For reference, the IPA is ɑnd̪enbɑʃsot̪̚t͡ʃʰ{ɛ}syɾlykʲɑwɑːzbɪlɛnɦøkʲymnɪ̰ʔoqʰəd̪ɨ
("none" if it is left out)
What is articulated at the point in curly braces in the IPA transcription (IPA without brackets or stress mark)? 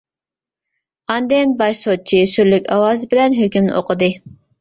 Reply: i